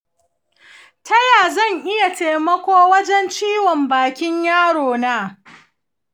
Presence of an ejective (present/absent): absent